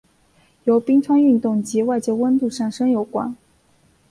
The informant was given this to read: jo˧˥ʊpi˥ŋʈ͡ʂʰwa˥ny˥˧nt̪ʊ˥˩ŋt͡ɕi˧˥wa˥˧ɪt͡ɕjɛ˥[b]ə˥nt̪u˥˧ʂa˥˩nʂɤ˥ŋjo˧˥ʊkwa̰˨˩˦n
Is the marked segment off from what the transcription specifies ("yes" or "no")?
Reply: yes